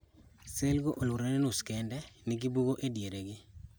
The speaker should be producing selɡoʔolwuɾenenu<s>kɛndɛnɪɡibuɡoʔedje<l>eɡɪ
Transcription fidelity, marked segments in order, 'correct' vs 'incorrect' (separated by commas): correct, incorrect